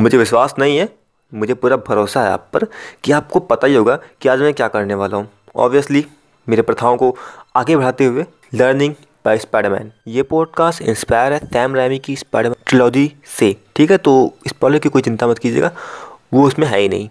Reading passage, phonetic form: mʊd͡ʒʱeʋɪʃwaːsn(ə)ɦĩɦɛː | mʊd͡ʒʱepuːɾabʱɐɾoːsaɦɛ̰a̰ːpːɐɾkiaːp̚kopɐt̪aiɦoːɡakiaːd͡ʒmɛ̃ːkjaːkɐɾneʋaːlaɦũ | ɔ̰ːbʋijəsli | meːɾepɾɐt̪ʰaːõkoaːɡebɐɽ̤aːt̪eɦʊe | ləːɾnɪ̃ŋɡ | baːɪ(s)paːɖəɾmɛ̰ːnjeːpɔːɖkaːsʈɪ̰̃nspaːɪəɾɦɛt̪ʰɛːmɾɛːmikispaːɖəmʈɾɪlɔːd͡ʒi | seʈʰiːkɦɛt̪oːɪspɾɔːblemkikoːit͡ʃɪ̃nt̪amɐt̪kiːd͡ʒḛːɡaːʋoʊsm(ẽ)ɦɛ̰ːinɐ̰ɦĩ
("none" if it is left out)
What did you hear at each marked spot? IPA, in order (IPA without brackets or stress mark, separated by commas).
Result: ɐ, s, ẽ